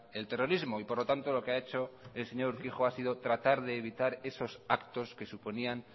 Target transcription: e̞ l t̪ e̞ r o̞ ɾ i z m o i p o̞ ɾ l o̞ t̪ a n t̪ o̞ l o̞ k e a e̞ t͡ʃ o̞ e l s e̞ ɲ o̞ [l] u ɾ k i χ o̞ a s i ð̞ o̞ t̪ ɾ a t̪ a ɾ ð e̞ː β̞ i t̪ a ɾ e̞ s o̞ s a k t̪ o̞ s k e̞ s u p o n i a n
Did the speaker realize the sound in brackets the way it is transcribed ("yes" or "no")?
no